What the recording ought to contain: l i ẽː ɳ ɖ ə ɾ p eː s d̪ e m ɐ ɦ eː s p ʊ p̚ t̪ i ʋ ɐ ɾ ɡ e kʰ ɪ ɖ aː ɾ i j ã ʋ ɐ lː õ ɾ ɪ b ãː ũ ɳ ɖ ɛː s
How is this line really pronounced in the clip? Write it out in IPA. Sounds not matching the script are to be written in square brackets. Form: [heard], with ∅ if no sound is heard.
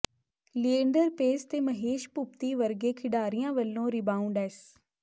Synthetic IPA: l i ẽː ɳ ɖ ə ɾ p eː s [t̪] e m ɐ ɦ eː [ʃ] p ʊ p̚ t̪ i ʋ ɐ ɾ ɡ e kʰ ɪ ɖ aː ɾ i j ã ʋ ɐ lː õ ɾ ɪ b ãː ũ ɳ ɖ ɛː s